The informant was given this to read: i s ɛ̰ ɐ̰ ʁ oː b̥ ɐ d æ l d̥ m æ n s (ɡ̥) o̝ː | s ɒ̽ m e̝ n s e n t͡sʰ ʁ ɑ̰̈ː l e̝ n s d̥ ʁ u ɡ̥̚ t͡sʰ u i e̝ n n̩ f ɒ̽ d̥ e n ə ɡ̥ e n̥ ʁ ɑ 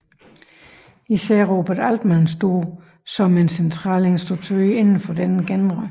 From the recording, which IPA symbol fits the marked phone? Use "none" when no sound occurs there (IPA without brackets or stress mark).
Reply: d̥